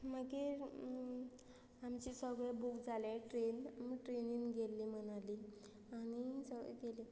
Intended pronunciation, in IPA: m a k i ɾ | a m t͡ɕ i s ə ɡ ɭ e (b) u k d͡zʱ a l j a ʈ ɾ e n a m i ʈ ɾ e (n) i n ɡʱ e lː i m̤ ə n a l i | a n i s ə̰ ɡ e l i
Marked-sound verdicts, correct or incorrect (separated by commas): correct, correct